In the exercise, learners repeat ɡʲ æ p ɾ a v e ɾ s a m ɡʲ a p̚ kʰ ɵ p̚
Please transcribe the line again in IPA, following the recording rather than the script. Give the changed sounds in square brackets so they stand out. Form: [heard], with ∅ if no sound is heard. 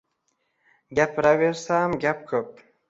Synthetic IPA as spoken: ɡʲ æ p ɾ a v e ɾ s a m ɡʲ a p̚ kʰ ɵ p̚